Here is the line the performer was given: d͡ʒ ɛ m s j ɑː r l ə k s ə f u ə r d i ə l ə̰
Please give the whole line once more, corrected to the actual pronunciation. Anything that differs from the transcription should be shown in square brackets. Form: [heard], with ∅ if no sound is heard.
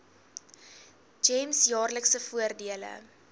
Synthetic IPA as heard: d͡ʒ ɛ m s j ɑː r l ə k s ə f u ə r d i ə l ə̰